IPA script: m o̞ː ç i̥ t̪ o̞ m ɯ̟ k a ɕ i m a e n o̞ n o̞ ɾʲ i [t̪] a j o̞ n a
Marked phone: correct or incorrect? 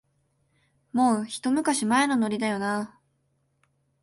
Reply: incorrect